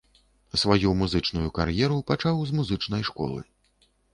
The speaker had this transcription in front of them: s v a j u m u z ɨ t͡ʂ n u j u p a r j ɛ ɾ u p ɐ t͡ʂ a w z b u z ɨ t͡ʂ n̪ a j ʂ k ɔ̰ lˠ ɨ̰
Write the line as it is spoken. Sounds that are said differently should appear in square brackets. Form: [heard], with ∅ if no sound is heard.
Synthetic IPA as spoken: s v a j u m u z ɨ t͡ʂ n u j u [k] a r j ɛ ɾ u p [a] t͡ʂ a w z [m] u z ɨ t͡ʂ n̪ [ɐ] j ʂ k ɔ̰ lˠ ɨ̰

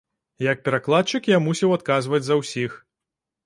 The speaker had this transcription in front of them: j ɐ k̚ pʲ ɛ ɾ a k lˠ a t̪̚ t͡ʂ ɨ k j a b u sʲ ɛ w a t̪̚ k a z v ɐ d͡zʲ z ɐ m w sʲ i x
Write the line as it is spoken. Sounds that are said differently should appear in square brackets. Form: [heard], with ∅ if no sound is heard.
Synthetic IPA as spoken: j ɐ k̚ pʲ ɛ ɾ a k lˠ a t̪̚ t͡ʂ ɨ k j a [m] u sʲ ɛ w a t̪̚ k a z v ɐ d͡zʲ z ɐ [∅] w sʲ i x

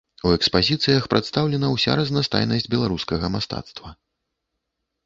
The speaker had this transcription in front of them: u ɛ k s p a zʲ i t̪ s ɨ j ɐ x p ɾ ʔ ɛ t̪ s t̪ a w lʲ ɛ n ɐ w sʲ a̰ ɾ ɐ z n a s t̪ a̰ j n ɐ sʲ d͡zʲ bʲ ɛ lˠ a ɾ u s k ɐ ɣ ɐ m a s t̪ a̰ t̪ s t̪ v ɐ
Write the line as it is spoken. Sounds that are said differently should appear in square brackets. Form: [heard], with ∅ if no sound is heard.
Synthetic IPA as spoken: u ɛ k s p a zʲ i t̪ s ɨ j ɐ x p ɾ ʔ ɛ t̪ s t̪ a w lʲ ɛ n ɐ w sʲ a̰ ɾ ɐ z n a s t̪ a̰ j n ɐ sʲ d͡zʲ bʲ ɛ lˠ a ɾ u s k ɐ ɣ ɐ m a s t̪ a̰ t̪ s t̪ v ɐ

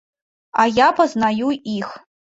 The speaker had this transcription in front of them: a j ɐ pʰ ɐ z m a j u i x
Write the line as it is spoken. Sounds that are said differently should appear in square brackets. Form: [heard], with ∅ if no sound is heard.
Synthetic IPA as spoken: a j [a] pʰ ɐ z [n] a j u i x

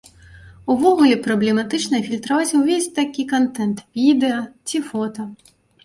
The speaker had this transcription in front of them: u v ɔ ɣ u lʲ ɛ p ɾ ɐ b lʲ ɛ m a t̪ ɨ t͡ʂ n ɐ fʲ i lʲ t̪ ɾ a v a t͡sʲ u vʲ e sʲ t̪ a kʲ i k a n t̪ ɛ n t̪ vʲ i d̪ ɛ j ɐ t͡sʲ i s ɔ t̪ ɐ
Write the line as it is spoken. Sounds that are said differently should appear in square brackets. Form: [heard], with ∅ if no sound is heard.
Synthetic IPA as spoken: u v ɔ ɣ u lʲ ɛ p ɾ ɐ b lʲ ɛ m a t̪ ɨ t͡ʂ n ɐ fʲ i lʲ t̪ ɾ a v a t͡sʲ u vʲ e sʲ t̪ a kʲ i k a n t̪ ɛ n t̪ vʲ i d̪ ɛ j ɐ t͡sʲ i [f] ɔ t̪ ɐ

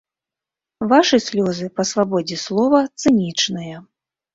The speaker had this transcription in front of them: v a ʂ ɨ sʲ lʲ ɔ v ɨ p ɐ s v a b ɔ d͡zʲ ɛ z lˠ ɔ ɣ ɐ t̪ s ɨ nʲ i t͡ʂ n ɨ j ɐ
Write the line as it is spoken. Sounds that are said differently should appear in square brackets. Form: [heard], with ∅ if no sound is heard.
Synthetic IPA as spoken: v a ʂ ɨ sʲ lʲ ɔ [z] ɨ p ɐ s v a b ɔ d͡zʲ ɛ [s] lˠ ɔ [v] ɐ t̪ s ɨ nʲ i t͡ʂ n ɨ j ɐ

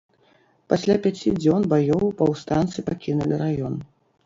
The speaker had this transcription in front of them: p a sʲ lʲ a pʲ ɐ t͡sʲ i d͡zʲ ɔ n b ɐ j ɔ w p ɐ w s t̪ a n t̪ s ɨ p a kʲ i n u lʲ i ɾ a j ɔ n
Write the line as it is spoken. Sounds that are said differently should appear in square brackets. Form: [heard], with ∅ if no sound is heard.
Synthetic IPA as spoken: p a sʲ lʲ a pʲ [a] t͡sʲ i d͡zʲ ɔ n b [a] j ɔ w p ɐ w s t̪ a n t̪ s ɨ p a kʲ i n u lʲ i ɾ a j ɔ n

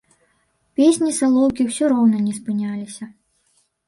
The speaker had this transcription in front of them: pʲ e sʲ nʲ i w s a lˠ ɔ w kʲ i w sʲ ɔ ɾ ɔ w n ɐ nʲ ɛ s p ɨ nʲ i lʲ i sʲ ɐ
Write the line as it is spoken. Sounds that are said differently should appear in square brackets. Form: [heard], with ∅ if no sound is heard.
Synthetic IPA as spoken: pʲ e sʲ nʲ i [∅] s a lˠ ɔ w kʲ i w sʲ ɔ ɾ ɔ w n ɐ nʲ ɛ s p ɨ nʲ [a] lʲ i sʲ ɐ

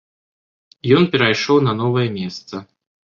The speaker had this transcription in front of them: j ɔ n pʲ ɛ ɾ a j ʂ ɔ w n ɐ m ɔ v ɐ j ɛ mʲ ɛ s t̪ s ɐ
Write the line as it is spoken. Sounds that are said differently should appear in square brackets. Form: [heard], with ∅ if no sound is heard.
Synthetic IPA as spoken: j ɔ n pʲ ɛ ɾ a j ʂ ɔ w n ɐ [n] ɔ v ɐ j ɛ mʲ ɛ s t̪ s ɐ

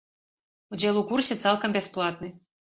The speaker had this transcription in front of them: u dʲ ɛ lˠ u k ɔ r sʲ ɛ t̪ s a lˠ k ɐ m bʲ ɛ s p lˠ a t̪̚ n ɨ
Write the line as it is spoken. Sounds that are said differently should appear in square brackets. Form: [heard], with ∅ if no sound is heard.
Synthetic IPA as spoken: u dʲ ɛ lˠ u k [u] r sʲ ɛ t̪ s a lˠ k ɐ m bʲ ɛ s p lˠ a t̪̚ n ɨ

